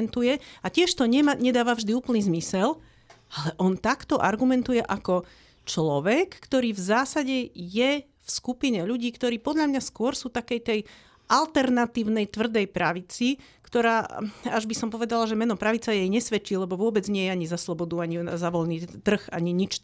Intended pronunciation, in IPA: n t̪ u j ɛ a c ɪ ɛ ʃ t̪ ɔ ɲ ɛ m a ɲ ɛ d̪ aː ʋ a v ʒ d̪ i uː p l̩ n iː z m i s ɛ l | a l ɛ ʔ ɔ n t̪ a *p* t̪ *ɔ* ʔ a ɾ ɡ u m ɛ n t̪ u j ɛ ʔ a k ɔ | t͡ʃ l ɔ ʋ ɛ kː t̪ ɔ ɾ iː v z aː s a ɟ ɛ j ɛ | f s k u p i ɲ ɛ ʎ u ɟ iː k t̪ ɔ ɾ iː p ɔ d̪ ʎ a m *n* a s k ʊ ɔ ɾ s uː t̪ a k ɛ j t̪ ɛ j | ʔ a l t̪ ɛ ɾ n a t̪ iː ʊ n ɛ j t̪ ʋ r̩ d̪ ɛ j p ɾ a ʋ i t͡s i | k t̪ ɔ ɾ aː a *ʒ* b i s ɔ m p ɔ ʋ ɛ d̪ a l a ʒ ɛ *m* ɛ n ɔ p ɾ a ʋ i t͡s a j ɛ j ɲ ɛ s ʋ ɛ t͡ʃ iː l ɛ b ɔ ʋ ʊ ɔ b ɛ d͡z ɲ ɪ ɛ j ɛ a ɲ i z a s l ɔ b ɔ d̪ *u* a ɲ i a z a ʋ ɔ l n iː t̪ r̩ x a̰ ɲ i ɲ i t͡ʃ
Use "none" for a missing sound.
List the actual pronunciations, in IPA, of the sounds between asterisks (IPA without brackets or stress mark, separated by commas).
k, ɔ, ɲ, ʒ, m, u